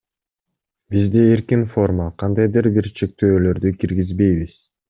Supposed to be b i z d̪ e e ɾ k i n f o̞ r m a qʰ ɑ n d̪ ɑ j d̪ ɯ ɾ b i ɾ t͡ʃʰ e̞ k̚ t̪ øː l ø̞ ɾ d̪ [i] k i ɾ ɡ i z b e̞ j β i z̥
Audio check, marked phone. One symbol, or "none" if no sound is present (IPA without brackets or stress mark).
y